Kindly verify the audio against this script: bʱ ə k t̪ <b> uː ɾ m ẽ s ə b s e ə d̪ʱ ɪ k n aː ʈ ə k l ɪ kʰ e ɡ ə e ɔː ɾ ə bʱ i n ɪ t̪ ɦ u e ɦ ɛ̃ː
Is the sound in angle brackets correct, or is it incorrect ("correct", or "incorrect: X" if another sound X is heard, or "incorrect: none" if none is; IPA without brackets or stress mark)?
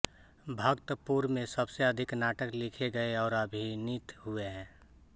incorrect: p